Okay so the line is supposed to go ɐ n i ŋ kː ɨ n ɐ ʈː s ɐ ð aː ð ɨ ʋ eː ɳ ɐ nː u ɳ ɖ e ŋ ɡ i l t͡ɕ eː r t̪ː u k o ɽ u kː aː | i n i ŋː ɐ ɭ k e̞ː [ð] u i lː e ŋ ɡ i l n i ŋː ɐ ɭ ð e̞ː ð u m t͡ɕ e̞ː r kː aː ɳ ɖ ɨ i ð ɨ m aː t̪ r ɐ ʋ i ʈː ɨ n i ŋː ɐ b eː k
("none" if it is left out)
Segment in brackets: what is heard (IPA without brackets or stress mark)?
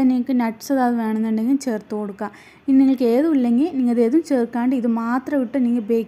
ð